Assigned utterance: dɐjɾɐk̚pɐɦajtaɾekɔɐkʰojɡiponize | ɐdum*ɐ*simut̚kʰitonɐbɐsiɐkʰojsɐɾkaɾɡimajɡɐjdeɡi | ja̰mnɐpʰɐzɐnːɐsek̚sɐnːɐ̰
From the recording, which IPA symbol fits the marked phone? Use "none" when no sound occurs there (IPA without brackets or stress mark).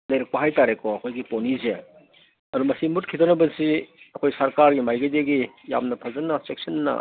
ɐ